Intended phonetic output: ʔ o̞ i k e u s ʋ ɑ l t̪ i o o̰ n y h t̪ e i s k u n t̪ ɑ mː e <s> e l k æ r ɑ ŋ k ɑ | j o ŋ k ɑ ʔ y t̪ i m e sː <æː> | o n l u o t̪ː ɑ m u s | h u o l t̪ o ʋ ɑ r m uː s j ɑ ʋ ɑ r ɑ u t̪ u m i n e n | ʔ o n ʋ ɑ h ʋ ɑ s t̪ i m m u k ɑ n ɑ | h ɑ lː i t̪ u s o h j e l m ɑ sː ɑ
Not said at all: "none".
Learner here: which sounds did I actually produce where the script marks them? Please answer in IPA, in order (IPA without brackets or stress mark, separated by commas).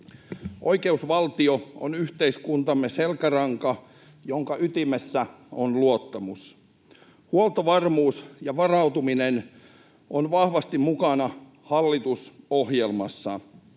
s, æ